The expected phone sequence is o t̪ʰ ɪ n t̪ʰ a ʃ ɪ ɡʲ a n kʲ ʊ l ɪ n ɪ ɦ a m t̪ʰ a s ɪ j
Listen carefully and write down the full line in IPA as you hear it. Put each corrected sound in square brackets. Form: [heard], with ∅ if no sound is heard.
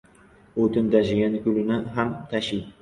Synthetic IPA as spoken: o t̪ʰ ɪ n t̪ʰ a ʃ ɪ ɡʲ a n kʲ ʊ l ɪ n ɪ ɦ a m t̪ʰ a [ʃ] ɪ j

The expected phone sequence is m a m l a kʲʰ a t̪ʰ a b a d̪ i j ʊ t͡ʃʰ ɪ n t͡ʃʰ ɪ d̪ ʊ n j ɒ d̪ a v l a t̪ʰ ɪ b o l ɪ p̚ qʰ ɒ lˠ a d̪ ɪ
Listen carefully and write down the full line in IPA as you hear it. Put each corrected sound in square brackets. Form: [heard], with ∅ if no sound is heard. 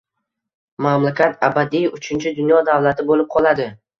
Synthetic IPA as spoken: m a m l a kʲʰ a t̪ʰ a b a d̪ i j ʊ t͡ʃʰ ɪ n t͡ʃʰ ɪ d̪ ʊ n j ɒ d̪ a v l a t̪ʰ ɪ b o l ɪ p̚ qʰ ɒ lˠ a d̪ ɪ

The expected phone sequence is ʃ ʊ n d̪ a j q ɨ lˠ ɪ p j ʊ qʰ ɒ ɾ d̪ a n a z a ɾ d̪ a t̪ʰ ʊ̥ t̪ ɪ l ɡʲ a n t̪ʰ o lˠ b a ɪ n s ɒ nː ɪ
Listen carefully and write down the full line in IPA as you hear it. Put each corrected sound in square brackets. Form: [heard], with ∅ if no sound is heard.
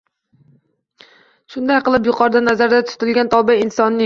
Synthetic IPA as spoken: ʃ ʊ n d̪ a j q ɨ lˠ ɪ p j ʊ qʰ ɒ ɾ d̪ a n a z a ɾ d̪ a t̪ʰ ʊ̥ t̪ ɪ l ɡʲ a n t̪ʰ [ɒ] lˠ b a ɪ n s ɒ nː ɪ

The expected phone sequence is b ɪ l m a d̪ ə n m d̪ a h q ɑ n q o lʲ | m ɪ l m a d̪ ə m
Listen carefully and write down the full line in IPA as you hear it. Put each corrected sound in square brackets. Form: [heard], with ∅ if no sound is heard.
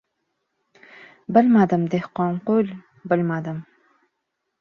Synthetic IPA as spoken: b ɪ l m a d̪ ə [∅] m d̪ [e] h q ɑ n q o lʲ | [b] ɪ l m a d̪ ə m

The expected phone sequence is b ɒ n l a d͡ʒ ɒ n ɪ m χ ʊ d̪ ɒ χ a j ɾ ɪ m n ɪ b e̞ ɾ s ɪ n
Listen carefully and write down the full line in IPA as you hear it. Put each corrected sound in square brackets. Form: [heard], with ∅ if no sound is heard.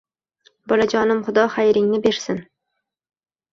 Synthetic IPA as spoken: b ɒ [∅] l a d͡ʒ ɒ n ɪ m χ ʊ d̪ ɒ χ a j ɾ ɪ [ŋ] n ɪ b e̞ ɾ s ɪ n

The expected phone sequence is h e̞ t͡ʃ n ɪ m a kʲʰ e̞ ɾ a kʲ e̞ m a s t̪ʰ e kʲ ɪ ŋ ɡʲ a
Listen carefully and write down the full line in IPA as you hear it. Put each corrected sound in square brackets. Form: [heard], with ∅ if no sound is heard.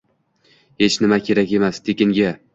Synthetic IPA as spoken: h e̞ t͡ʃ n ɪ m a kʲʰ e̞ ɾ a kʲ e̞ m a s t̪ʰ e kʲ ɪ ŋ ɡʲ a

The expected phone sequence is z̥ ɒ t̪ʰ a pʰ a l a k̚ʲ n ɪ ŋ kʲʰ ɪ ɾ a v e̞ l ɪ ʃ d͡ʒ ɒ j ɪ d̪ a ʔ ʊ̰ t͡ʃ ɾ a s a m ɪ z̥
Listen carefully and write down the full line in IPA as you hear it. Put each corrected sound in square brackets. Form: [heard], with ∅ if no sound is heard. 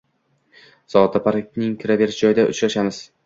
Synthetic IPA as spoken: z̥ ɒ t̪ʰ a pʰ a [ɾ] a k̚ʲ n ɪ ŋ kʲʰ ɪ ɾ a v e̞ [ɾ] ɪ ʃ d͡ʒ ɒ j ɪ d̪ a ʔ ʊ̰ t͡ʃ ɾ a [ʃ] a m ɪ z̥

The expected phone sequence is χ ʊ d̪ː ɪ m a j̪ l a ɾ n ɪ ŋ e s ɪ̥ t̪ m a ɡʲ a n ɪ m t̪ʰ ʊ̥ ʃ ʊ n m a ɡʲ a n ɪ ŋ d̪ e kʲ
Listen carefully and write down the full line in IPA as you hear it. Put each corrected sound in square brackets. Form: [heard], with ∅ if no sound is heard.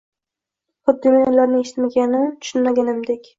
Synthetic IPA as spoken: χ ʊ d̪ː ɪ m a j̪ l a ɾ n ɪ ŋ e [ʃ] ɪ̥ t̪ m a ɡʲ a n ɪ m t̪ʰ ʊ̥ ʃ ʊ n m a ɡʲ a n ɪ [m] d̪ e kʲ

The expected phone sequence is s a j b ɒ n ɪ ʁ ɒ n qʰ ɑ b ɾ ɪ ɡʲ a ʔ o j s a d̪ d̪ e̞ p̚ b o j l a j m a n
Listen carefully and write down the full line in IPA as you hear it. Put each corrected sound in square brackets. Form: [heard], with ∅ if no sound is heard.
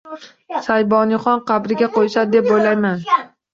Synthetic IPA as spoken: s a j b ɒ n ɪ [χ] ɒ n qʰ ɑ b ɾ ɪ ɡʲ a [q] o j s a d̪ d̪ e̞ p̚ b o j l a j m a n

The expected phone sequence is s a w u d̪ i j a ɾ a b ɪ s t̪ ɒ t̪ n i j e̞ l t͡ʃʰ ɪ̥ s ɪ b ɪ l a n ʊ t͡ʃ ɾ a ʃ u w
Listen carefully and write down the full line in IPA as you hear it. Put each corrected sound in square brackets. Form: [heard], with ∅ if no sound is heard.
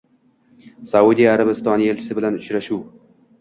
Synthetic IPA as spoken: s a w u d̪ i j a ɾ a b ɪ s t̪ ɒ [∅] n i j e̞ l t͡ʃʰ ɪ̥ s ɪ b ɪ l a n ʊ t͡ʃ ɾ a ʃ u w

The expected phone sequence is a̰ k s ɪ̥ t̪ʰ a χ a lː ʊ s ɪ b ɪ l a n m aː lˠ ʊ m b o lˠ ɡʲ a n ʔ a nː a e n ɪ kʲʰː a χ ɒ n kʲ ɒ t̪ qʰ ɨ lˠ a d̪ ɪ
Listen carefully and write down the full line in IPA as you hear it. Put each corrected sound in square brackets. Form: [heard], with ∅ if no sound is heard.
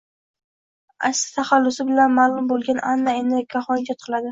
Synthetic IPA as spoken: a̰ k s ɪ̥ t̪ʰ a χ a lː ʊ s ɪ b ɪ l a n m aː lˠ ʊ m b o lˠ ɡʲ a n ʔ a nː a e n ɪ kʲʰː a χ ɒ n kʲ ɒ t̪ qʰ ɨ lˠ a d̪ ɪ

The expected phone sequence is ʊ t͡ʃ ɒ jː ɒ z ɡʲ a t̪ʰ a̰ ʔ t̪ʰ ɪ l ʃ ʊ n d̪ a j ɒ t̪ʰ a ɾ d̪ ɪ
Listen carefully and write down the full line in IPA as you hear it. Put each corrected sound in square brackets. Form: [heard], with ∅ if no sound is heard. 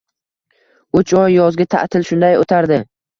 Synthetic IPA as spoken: ʊ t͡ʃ ɒ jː ɒ z ɡʲ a t̪ʰ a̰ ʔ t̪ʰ ɪ l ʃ ʊ n d̪ a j [o] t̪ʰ a ɾ d̪ ɪ

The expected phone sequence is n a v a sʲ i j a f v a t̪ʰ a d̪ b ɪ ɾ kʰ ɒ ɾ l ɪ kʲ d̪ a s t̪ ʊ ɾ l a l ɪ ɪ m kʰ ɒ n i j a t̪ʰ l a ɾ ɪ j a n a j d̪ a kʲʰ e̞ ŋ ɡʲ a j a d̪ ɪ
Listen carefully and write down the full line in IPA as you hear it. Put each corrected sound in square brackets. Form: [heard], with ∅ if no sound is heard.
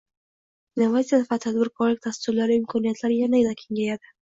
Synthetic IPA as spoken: n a v a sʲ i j a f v a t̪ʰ a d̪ b ɪ ɾ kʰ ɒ ɾ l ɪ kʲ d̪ a s t̪ ʊ ɾ l a [ɾ] ɪ ɪ m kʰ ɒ n i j a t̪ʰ l a ɾ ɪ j a n a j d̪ a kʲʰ e̞ ŋ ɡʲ a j a d̪ ɪ

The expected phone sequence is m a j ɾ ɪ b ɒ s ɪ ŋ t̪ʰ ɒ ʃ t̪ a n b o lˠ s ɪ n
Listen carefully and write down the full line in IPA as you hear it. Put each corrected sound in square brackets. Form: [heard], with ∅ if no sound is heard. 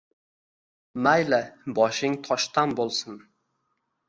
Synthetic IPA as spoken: m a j [l] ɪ b ɒ [ʃ] ɪ ŋ t̪ʰ ɒ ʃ t̪ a n b o lˠ s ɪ n

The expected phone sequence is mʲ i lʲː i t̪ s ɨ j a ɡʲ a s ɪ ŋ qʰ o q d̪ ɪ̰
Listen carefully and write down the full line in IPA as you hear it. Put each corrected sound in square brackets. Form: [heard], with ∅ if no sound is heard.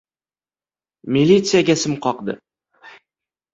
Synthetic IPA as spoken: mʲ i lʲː i t̪ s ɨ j a ɡʲ a s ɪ [m] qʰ [ɒ] q d̪ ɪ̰

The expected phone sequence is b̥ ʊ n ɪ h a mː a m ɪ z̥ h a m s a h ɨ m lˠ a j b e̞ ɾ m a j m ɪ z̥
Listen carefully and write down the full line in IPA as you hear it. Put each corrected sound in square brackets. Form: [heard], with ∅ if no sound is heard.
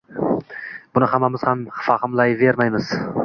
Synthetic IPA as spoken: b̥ ʊ n ɪ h a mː a m ɪ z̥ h a m [f] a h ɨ m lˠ a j [v] e̞ ɾ m a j m ɪ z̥

